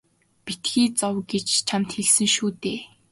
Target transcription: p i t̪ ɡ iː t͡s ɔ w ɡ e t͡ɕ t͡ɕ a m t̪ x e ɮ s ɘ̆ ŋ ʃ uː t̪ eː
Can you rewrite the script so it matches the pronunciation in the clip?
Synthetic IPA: p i t̪ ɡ iː t͡s ɔ w ɡ e t͡ɕ t͡ɕʰ a m t̪ x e ɮ s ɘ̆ ŋ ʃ uː t̪ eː